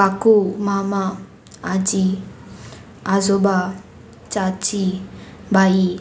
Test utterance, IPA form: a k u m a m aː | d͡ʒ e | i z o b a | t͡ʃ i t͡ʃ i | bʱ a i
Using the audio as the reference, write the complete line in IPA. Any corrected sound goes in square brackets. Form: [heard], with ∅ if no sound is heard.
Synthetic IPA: a k u m a m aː | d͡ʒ [i] | [a] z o b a | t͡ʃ [a] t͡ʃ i | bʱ a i